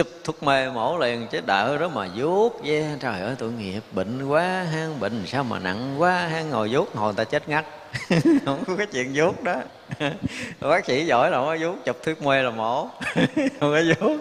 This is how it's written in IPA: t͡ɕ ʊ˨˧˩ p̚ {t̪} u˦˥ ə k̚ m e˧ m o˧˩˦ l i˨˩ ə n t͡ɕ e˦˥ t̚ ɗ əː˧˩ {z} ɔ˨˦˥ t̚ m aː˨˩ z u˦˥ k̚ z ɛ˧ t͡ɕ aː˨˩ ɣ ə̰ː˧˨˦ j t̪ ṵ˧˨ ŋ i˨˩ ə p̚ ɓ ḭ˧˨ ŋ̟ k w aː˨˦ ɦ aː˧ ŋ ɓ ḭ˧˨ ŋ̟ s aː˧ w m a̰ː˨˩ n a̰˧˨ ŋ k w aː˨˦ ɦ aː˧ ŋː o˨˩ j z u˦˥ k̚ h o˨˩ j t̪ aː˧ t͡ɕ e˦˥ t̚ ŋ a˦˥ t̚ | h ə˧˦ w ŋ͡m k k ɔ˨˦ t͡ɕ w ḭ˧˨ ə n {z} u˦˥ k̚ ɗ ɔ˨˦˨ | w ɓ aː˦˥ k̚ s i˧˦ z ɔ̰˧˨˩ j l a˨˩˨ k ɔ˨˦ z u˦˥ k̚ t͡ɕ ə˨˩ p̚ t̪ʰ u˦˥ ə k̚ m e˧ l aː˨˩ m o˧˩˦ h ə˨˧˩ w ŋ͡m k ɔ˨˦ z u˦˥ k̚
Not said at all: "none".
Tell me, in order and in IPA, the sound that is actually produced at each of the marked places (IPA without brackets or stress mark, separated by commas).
t̪ʰ, z, z